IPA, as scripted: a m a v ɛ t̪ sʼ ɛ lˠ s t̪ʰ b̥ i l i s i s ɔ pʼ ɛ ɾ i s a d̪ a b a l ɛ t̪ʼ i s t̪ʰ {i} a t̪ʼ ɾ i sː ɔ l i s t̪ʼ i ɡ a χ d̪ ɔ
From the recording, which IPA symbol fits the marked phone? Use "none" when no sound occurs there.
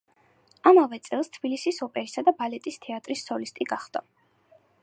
ɛ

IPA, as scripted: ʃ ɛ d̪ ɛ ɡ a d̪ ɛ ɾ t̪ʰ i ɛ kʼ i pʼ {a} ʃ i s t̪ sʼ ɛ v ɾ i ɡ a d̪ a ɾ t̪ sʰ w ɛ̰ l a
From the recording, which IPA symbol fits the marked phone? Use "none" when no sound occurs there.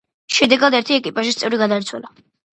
a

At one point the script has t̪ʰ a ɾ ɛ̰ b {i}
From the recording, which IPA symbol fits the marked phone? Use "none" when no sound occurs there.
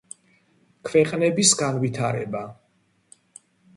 a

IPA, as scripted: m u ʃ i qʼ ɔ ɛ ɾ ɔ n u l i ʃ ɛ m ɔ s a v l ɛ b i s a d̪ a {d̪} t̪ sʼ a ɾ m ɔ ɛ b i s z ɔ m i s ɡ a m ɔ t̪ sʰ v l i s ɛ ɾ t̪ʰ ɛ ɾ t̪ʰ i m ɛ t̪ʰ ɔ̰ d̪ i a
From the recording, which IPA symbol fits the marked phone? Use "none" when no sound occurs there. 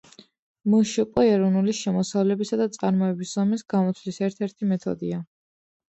none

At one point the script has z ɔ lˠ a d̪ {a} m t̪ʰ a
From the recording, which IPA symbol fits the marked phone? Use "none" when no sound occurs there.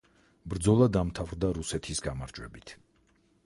a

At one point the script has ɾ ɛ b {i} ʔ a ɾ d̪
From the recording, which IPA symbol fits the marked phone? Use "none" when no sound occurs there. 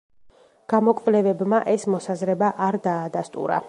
a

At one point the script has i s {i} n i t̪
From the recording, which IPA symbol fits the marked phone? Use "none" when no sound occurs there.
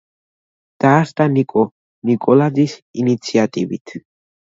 i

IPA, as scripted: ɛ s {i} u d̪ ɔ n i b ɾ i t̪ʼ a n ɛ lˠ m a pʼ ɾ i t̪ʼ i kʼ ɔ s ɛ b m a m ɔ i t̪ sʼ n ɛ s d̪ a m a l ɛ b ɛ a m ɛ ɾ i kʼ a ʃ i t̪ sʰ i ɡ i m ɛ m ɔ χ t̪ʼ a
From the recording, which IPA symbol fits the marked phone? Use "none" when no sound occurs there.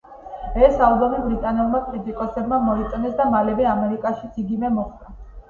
a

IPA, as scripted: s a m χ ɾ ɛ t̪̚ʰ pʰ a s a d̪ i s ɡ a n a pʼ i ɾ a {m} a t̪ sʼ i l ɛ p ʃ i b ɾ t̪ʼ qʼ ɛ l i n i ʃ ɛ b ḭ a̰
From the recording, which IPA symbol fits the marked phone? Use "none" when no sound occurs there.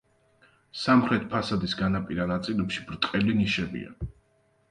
n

